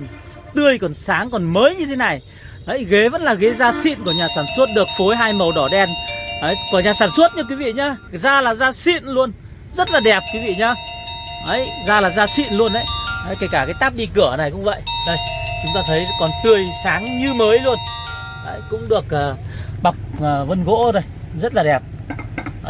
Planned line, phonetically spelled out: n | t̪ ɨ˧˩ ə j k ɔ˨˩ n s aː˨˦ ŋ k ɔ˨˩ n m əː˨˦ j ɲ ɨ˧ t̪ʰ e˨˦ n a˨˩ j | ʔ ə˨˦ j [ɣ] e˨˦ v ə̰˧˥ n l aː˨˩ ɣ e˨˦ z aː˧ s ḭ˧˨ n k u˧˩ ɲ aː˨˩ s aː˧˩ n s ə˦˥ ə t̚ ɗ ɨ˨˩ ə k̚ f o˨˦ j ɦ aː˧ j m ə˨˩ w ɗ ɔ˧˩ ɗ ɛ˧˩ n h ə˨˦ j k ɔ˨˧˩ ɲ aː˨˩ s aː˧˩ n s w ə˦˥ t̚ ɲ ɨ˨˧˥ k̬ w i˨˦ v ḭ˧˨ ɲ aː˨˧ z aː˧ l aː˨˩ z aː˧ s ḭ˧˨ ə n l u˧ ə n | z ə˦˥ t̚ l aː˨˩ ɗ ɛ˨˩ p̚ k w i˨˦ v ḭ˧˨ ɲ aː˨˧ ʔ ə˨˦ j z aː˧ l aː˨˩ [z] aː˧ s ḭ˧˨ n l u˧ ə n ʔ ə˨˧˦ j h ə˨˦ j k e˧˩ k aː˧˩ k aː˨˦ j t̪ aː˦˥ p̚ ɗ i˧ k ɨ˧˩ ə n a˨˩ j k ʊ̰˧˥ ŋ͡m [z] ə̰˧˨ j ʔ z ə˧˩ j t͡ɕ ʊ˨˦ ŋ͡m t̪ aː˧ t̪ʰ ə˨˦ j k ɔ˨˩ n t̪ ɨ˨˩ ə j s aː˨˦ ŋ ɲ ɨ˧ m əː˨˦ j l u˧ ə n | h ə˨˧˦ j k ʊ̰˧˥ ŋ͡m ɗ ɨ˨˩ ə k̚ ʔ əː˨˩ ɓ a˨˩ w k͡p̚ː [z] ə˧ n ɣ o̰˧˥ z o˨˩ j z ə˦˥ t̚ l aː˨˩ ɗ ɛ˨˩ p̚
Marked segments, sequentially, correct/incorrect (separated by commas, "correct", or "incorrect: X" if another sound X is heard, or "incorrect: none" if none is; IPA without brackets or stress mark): correct, correct, incorrect: v, incorrect: v